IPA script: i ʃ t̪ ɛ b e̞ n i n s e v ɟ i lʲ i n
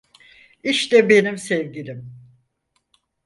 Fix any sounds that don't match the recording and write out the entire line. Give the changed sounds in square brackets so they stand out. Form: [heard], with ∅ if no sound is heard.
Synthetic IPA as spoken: i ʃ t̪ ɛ b e̞ n i [m] s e v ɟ i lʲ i [m]